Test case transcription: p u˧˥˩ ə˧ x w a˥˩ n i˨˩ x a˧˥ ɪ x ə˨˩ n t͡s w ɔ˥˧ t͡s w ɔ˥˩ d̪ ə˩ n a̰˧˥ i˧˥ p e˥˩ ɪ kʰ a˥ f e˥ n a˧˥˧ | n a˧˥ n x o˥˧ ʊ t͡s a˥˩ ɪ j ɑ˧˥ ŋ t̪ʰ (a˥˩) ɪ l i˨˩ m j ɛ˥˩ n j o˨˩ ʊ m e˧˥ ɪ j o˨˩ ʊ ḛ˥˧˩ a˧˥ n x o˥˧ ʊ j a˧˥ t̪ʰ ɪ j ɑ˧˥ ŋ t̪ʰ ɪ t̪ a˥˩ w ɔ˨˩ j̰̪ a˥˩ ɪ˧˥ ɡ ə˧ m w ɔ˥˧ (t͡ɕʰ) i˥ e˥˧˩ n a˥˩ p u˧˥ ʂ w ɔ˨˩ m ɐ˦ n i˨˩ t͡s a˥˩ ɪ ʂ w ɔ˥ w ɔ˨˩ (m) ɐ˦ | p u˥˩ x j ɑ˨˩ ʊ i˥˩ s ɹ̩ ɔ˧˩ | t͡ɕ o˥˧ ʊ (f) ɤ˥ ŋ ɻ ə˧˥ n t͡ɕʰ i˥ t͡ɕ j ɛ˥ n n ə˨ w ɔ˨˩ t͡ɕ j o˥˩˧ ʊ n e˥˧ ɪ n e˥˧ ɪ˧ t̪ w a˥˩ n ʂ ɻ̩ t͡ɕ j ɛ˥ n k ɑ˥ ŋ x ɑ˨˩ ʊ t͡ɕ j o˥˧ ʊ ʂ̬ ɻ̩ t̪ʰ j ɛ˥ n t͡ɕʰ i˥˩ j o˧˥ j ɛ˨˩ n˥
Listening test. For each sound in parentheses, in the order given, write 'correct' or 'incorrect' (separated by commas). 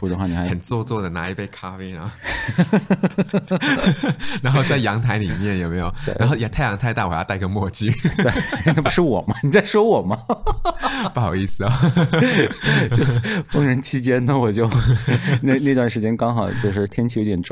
incorrect, incorrect, correct, correct